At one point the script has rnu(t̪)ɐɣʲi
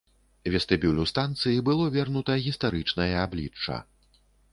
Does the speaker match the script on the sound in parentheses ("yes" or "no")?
yes